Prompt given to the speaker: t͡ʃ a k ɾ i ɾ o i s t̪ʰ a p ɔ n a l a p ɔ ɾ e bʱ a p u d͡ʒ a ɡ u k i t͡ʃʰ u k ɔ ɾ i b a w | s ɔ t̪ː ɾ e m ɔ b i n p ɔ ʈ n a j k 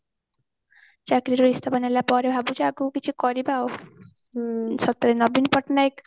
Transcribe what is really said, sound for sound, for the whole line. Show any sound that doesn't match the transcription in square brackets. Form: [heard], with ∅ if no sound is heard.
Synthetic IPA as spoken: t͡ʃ a k ɾ i ɾ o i s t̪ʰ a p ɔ n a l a p ɔ ɾ e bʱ a [b] u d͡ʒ a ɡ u k i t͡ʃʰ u k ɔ ɾ i b a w | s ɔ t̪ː ɾ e [n] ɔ b i n p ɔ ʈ n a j k